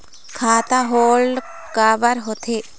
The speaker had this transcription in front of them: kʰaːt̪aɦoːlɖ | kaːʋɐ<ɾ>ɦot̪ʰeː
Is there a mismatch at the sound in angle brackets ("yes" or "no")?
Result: no